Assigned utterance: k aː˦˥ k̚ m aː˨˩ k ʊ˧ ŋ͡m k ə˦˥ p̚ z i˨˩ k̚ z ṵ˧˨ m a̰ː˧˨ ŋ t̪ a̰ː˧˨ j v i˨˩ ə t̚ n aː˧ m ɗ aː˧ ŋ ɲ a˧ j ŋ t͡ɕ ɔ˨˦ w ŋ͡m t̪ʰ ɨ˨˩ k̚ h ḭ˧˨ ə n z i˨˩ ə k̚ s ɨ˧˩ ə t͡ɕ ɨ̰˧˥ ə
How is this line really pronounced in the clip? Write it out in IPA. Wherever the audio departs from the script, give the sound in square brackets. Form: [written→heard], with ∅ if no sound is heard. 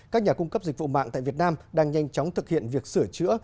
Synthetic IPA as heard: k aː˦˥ k̚ [m→ɲ] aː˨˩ k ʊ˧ ŋ͡m k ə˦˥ p̚ z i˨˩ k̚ [z→v] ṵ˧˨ m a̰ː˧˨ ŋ t̪ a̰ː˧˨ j v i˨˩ ə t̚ n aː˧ m ɗ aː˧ ŋ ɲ a˧ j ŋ t͡ɕ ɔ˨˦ w ŋ͡m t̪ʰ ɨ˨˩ k̚ h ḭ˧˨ ə n [z→v] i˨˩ ə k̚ s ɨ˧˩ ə t͡ɕ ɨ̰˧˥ ə